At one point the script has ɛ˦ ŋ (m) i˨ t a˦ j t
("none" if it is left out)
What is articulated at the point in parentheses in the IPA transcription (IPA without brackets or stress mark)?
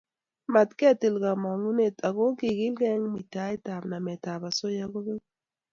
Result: m